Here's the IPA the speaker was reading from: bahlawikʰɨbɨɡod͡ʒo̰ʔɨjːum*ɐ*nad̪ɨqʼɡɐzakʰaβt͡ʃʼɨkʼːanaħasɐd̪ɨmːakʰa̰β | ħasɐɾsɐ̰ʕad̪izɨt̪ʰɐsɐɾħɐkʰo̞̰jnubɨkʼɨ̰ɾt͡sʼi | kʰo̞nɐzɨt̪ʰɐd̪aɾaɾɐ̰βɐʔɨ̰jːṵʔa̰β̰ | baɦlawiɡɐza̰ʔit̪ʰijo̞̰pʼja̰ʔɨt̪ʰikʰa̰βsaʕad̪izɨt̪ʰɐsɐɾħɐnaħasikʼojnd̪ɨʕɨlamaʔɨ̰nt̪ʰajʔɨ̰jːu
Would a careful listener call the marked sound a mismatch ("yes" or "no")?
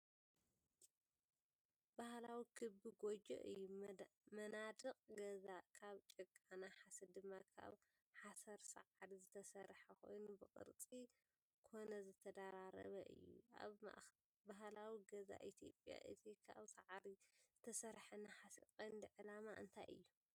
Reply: no